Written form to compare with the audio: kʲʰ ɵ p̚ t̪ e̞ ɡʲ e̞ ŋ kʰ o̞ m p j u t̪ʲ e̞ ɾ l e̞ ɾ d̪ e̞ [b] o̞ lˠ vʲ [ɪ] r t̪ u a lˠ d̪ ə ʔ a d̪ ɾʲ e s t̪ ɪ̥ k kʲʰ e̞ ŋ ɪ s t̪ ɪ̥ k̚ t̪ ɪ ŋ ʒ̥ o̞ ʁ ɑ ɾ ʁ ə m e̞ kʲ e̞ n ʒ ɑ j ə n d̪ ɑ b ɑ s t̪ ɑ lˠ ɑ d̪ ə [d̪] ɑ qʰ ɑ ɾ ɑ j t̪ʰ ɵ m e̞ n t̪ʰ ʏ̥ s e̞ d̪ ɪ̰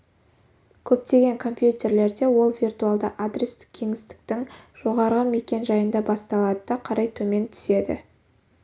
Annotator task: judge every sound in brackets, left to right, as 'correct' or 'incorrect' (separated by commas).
incorrect, incorrect, correct